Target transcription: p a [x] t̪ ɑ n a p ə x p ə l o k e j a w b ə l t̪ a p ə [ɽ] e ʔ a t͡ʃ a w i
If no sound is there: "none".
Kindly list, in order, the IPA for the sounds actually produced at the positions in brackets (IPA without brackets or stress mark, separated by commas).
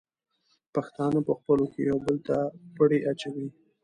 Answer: x, ɽ